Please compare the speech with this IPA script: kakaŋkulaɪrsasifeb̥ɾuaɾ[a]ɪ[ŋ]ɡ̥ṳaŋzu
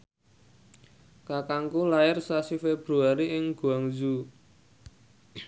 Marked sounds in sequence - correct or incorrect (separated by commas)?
incorrect, correct